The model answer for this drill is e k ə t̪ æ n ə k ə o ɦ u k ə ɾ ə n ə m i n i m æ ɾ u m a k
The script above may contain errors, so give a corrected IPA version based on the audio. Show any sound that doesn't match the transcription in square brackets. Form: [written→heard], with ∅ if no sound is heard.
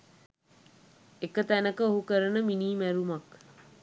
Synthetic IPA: e k ə t̪ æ n ə k ə o ɦ u k ə ɾ ə n ə m i n [i→iː] m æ ɾ u m a k